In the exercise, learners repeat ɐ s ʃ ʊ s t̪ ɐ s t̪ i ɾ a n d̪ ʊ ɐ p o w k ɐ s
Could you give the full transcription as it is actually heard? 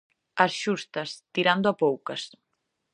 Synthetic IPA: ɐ s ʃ u s t̪ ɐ s t̪ i ɾ a n d̪ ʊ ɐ p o w k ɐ s